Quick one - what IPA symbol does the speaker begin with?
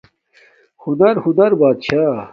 h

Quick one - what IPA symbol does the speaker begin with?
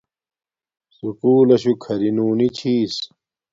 s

